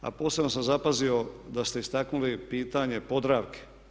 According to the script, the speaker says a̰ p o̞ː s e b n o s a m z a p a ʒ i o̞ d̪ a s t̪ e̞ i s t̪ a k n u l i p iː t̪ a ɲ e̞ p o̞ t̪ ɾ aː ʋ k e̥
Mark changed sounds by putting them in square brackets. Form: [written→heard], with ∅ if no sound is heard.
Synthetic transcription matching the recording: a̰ p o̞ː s e b n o s a m z a p a [ʒ→z] i o̞ d̪ a s t̪ e̞ i s t̪ a k n u l i p iː t̪ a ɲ e̞ p o̞ [t̪→d̪] ɾ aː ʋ k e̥